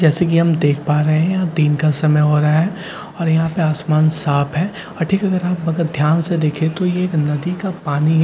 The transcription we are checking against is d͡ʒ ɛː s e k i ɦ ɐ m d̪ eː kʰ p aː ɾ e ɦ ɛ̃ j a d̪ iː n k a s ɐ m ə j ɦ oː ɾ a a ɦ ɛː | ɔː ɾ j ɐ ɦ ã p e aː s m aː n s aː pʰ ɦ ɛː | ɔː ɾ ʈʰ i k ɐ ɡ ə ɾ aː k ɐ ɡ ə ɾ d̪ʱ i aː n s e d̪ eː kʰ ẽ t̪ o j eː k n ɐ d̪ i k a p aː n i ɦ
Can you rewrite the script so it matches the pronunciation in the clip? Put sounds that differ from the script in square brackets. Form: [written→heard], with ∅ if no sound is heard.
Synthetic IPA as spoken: d͡ʒ ɛː s e k i ɦ ɐ m d̪ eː kʰ p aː ɾ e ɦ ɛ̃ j a d̪ iː n k a s ɐ m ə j ɦ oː ɾ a a ɦ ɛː | ɔː ɾ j ɐ ɦ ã p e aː s m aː n s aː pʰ ɦ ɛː | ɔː ɾ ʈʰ [i→iː] k ɐ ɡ ə ɾ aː [k→p] ɐ ɡ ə ɾ d̪ʱ [i→j] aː n s e d̪ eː kʰ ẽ t̪ o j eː k n ɐ d̪ i k a p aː n i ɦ